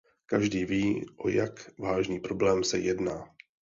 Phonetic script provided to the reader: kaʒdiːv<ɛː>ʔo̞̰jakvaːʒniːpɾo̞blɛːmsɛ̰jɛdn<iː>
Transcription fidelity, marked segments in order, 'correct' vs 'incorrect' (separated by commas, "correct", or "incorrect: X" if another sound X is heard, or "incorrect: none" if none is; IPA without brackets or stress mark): incorrect: iː, incorrect: aː